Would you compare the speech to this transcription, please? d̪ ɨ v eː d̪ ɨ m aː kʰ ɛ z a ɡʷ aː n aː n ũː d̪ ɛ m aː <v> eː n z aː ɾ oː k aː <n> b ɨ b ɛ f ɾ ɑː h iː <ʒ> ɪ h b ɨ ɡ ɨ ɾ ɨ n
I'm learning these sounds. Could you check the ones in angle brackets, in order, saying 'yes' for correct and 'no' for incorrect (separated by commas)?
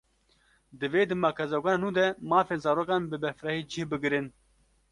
no, yes, no